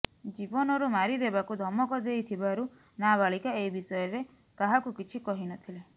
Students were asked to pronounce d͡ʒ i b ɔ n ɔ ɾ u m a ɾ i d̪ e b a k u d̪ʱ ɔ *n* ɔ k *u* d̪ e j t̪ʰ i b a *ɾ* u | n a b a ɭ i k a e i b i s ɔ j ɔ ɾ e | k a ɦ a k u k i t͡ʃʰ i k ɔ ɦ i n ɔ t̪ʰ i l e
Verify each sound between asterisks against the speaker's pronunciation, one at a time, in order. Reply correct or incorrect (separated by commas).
incorrect, incorrect, correct